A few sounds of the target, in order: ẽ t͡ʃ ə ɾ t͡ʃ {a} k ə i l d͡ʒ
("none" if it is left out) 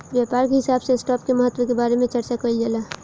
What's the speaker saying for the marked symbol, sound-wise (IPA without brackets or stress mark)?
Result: a